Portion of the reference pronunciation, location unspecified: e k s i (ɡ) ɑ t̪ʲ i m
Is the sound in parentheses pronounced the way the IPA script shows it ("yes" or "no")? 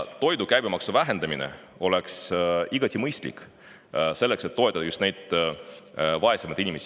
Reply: yes